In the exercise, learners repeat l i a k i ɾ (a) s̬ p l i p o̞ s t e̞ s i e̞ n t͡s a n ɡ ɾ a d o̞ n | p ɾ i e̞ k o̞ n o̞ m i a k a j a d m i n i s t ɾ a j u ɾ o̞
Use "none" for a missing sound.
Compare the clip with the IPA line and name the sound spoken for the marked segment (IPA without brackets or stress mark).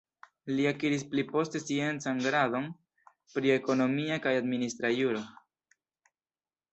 i